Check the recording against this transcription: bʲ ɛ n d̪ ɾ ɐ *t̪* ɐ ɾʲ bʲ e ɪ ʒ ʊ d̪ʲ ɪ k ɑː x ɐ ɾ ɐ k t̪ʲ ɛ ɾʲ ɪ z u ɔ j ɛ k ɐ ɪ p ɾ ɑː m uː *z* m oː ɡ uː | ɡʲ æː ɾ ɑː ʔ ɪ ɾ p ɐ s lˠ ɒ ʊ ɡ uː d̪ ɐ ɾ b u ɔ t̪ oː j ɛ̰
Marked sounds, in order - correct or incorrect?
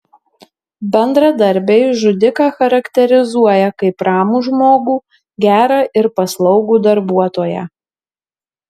incorrect: d̪, incorrect: ʒ

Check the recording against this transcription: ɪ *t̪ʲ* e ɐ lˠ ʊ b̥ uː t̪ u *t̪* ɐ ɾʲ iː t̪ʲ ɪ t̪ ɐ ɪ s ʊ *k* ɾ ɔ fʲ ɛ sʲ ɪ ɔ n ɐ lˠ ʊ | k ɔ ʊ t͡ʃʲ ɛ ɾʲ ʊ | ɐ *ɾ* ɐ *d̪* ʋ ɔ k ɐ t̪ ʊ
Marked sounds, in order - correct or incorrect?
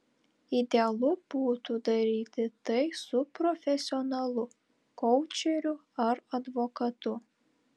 incorrect: d̪ʲ, incorrect: d̪, incorrect: p, correct, correct

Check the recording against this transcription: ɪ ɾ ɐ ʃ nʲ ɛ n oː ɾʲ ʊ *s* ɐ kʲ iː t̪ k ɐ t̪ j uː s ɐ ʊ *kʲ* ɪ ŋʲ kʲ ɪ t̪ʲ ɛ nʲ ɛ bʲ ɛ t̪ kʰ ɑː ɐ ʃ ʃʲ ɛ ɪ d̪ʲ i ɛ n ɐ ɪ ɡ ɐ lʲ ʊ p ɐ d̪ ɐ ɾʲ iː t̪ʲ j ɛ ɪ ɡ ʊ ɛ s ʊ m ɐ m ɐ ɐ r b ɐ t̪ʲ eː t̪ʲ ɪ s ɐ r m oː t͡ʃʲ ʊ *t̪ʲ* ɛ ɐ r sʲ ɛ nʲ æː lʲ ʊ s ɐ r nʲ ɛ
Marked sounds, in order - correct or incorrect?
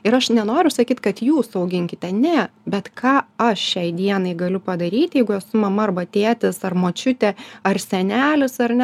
correct, incorrect: ɡʲ, correct

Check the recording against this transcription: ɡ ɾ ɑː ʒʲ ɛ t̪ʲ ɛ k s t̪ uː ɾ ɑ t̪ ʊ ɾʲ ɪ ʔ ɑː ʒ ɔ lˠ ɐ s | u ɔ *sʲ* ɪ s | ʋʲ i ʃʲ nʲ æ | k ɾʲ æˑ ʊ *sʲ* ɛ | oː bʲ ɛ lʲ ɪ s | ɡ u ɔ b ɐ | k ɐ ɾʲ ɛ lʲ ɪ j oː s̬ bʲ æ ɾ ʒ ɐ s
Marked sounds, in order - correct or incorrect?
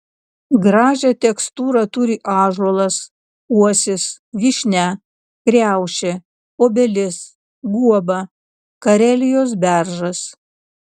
correct, incorrect: ʃʲ

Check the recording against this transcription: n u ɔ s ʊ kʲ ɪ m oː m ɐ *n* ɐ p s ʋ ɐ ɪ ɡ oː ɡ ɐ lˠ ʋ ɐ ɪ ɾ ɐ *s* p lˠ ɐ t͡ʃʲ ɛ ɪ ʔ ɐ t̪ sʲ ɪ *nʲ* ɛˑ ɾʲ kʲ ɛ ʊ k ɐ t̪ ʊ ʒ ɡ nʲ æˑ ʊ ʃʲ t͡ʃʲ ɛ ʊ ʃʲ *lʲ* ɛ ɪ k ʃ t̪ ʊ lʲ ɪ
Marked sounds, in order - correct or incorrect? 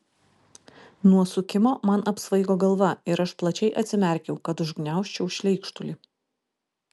correct, incorrect: ʃ, incorrect: mʲ, correct

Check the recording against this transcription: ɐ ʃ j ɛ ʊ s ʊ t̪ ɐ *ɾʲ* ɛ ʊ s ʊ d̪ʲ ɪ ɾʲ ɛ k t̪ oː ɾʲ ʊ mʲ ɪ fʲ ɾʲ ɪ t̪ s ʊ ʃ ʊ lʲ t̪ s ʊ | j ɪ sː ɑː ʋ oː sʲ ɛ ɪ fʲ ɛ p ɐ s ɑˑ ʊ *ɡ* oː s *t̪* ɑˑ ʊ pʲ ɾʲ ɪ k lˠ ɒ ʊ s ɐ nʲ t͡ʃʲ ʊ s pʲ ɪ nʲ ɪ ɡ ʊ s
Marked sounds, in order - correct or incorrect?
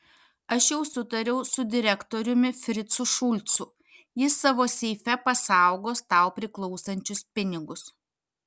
correct, correct, correct

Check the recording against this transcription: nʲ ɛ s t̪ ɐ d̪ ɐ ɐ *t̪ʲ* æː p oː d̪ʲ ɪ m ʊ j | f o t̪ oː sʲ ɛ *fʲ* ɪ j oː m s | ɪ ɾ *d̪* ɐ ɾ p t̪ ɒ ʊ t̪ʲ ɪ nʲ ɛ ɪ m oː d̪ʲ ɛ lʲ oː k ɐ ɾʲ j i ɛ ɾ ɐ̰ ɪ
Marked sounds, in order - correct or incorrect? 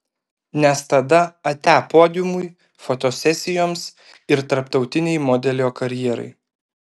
correct, incorrect: sʲ, incorrect: t̪

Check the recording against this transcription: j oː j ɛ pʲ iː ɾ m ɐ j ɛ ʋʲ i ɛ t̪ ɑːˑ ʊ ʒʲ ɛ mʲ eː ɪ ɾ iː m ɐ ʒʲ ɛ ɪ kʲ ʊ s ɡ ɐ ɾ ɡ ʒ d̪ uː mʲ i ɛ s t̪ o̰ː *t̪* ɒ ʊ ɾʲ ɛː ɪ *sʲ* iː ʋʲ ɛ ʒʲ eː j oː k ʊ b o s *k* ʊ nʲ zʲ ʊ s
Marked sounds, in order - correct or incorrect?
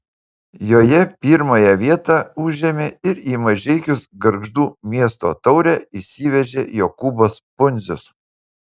correct, correct, incorrect: p

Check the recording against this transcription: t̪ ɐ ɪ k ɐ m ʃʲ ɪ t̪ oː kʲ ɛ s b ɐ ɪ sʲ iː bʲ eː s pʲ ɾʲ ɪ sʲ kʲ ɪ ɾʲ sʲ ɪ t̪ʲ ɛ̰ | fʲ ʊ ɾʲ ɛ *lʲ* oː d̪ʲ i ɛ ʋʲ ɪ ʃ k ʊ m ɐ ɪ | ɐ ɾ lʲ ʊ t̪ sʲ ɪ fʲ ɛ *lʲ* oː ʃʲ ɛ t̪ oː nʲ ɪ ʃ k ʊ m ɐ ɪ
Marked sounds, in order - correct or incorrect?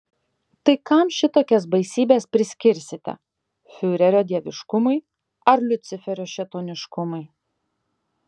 incorrect: ɾʲ, incorrect: ɾʲ

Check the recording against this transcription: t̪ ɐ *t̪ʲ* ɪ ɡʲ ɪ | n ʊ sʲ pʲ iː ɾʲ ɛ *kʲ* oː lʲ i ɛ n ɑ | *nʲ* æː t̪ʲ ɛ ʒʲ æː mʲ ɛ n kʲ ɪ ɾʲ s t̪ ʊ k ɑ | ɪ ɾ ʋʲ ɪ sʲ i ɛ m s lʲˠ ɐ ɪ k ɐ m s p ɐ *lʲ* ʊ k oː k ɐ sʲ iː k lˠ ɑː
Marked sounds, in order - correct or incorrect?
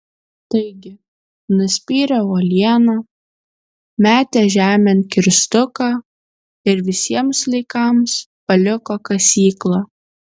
incorrect: none, incorrect: none, incorrect: mʲ, correct

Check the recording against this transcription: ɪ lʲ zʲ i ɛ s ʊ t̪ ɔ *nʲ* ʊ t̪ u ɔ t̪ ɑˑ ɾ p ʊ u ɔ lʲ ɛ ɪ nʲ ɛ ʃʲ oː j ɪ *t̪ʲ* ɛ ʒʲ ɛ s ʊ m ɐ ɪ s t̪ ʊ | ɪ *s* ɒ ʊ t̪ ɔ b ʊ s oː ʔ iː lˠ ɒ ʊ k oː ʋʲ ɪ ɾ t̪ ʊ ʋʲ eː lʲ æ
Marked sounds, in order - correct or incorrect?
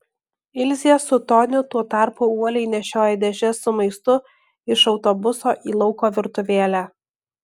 correct, incorrect: d̪ʲ, incorrect: ʃ

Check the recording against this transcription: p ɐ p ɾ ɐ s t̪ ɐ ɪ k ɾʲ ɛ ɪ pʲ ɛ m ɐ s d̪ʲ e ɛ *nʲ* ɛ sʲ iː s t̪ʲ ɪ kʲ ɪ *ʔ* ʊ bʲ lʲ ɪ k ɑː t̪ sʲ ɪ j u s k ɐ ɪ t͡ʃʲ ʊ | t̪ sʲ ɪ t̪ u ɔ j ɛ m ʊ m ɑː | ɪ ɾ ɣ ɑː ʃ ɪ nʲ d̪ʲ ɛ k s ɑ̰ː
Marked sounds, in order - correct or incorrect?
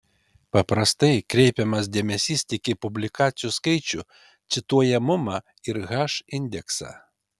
incorrect: mʲ, incorrect: p

